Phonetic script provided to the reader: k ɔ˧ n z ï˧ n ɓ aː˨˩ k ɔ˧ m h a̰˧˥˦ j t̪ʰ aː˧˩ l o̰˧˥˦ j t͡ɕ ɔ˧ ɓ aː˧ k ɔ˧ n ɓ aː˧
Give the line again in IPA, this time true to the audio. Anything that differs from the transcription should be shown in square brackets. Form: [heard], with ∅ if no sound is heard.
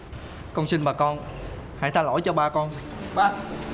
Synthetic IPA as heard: k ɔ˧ n [s] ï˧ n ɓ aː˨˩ k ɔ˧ [n] h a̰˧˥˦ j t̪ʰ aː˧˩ l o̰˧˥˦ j t͡ɕ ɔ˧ ɓ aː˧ k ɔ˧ n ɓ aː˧